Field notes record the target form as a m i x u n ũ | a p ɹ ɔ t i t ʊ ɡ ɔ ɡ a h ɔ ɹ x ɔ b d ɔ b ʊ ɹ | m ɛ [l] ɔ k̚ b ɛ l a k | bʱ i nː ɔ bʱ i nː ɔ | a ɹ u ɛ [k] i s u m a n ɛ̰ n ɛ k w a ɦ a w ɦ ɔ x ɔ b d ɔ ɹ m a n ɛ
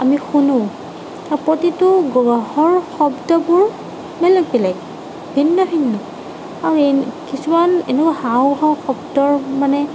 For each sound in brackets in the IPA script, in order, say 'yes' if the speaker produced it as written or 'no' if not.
yes, yes

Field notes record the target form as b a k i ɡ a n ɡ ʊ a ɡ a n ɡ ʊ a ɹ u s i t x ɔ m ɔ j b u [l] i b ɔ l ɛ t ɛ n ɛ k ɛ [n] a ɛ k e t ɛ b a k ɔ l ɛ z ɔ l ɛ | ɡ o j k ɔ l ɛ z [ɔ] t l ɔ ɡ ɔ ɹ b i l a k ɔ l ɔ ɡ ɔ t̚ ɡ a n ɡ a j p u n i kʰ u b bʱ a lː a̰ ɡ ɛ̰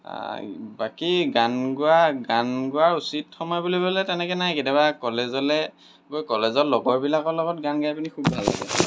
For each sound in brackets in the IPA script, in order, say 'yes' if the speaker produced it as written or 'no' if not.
yes, yes, yes

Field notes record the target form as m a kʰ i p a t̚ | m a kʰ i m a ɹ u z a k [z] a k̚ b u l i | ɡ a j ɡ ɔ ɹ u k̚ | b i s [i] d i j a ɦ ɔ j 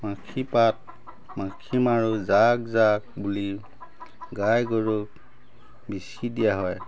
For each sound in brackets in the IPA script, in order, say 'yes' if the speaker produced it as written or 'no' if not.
yes, yes

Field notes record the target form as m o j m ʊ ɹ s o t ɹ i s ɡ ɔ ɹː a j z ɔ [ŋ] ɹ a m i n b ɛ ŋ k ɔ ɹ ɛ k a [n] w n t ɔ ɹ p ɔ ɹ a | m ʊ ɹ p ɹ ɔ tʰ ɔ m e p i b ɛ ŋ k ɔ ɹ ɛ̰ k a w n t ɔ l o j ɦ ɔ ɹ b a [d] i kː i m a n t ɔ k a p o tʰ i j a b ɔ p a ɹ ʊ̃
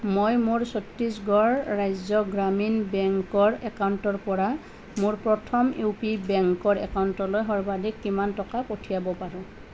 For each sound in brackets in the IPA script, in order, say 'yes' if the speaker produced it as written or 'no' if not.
no, no, yes

